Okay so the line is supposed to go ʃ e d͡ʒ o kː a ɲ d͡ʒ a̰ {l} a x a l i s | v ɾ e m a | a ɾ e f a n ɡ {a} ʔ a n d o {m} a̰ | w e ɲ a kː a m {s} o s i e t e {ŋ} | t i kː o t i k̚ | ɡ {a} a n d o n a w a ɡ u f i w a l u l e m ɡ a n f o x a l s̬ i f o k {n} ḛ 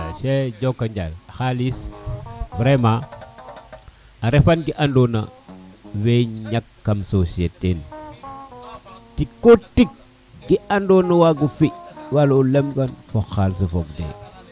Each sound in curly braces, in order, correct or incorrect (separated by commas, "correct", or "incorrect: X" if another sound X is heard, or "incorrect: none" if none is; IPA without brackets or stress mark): correct, incorrect: i, incorrect: n, correct, incorrect: n, incorrect: i, incorrect: d